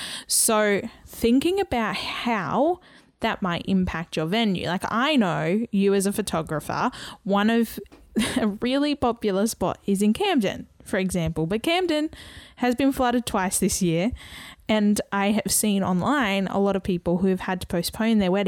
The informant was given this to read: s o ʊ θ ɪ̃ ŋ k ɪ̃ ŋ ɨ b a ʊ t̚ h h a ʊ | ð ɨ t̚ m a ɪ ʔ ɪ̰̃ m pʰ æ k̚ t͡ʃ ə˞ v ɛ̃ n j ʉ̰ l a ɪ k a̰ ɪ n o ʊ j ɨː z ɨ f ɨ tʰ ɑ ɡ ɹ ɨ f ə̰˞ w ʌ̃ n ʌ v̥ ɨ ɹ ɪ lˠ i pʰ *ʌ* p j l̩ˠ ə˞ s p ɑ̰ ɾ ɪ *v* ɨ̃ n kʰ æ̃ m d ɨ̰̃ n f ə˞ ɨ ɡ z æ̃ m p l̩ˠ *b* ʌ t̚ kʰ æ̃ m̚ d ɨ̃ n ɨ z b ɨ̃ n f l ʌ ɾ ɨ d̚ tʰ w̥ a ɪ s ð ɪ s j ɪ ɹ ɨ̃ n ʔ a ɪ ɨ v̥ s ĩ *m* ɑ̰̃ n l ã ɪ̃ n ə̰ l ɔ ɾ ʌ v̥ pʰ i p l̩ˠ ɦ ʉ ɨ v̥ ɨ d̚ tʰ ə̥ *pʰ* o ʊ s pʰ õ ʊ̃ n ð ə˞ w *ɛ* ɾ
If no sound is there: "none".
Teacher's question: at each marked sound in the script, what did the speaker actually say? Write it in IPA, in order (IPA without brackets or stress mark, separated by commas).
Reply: ɑ, z, b, n, pʰ, ɛ